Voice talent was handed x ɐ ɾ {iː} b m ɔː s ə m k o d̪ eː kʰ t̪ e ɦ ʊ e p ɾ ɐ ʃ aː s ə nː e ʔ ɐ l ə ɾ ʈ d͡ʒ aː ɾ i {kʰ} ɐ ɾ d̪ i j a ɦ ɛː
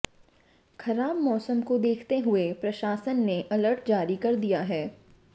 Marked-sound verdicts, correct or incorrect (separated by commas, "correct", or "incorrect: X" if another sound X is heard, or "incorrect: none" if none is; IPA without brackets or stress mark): incorrect: aː, incorrect: k